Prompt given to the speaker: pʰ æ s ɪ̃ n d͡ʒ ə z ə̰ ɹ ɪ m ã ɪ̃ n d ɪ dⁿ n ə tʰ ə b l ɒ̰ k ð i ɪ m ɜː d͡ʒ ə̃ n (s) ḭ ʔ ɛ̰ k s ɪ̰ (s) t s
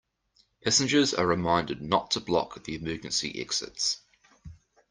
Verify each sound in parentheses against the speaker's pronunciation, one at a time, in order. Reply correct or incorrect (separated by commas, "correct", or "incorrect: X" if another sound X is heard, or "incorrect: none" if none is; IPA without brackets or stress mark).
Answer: correct, incorrect: none